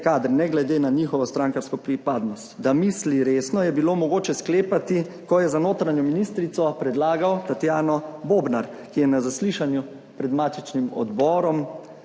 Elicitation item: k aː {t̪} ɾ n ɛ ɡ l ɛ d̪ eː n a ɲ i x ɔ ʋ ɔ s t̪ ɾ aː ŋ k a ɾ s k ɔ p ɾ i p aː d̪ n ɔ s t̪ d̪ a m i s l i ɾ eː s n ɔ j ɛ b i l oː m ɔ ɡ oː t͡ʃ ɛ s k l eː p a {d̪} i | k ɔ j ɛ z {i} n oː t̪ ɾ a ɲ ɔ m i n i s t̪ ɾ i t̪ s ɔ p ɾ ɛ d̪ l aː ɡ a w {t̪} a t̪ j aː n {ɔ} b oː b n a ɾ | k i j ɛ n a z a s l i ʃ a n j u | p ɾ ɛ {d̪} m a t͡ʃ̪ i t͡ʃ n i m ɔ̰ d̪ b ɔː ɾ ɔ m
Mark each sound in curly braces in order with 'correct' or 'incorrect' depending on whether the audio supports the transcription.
incorrect: d̪, incorrect: t̪, incorrect: a, correct, correct, correct

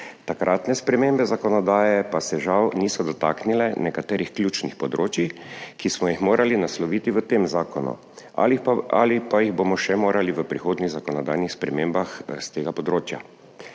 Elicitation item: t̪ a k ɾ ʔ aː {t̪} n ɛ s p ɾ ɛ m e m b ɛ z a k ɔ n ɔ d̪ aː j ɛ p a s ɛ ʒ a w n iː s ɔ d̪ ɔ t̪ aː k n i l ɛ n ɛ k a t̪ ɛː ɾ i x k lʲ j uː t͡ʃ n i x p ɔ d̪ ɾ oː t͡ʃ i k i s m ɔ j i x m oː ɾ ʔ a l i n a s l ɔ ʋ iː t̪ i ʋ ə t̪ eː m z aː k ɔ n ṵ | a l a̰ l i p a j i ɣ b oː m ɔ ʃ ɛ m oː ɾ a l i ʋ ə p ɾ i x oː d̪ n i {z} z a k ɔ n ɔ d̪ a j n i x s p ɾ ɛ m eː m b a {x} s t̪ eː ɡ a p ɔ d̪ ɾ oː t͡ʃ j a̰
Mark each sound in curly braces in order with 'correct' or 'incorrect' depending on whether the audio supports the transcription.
correct, incorrect: ɣ, correct

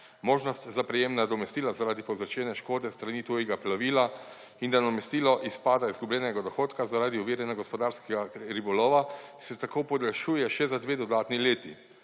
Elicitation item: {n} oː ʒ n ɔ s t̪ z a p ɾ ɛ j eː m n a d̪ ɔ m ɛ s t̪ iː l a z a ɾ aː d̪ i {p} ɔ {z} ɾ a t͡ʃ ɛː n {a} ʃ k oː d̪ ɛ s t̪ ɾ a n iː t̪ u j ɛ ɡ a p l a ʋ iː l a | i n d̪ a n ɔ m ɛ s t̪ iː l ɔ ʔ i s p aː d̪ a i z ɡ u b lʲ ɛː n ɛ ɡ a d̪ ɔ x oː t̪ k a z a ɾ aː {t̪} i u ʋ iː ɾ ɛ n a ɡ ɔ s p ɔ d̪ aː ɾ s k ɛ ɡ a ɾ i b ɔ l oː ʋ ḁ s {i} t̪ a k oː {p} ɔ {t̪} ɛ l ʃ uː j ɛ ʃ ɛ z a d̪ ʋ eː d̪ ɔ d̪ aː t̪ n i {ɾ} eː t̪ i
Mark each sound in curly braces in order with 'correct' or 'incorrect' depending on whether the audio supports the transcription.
incorrect: m, correct, correct, incorrect: ɛ, incorrect: d̪, incorrect: ɛ, correct, incorrect: d̪, incorrect: l

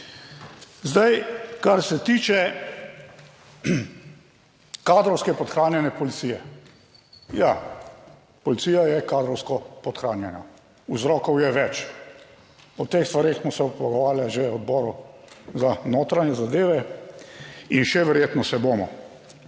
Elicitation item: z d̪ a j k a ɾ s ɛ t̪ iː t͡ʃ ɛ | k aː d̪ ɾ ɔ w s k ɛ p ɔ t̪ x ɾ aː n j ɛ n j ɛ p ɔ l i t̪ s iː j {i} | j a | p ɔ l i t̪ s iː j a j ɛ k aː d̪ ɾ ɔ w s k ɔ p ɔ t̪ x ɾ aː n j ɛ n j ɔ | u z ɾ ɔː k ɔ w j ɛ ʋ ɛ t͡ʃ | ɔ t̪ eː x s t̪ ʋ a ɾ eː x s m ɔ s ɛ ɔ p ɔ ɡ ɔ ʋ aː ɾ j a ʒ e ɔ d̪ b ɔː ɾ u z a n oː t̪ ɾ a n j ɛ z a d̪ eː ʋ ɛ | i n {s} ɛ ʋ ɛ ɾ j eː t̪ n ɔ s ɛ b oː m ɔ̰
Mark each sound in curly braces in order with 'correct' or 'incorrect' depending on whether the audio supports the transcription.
incorrect: ɛ, incorrect: ʃ

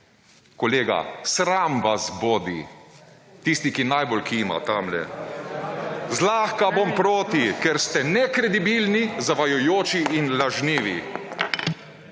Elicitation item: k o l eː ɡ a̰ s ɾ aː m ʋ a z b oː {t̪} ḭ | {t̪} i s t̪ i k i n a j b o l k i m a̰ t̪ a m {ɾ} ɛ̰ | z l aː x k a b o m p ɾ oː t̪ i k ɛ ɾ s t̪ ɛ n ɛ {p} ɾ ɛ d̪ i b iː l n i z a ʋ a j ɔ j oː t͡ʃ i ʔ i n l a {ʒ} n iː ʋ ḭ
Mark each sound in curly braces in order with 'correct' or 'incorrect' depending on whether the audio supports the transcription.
incorrect: d̪, correct, incorrect: l, incorrect: k, correct

